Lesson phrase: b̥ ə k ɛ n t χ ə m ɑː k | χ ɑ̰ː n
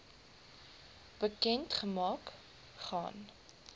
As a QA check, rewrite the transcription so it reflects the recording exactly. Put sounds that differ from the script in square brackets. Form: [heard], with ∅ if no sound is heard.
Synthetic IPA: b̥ ə k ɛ n t χ ə m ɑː k | χ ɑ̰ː n